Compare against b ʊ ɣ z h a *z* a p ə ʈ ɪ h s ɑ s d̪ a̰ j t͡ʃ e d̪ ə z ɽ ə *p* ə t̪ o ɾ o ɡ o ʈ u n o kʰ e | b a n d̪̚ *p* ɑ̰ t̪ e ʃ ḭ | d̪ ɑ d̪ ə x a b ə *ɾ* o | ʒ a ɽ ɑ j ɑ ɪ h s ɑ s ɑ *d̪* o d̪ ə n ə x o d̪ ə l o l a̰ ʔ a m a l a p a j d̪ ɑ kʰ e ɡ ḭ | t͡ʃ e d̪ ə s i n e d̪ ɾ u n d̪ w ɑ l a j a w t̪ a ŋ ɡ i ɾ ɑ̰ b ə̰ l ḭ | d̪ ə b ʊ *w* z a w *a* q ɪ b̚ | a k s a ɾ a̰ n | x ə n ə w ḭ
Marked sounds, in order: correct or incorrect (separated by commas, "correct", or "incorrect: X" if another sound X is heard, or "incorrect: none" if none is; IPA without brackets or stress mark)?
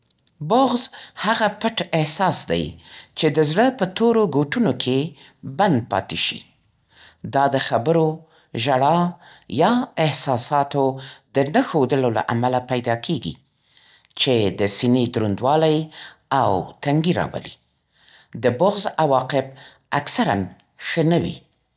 incorrect: ɣ, correct, correct, correct, incorrect: t̪, incorrect: ɣ, incorrect: ɑ